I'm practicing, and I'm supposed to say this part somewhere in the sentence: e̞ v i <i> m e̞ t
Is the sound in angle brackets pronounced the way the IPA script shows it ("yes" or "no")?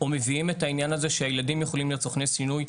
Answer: yes